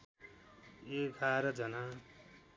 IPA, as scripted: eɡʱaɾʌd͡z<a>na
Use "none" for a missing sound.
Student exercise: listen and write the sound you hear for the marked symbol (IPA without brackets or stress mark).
ʌ